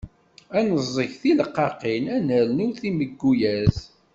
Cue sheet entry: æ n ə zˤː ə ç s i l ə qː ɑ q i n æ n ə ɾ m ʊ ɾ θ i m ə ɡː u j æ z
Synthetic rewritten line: æ n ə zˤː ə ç θ i l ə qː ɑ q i n æ n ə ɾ n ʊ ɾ θ i m ə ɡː u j æ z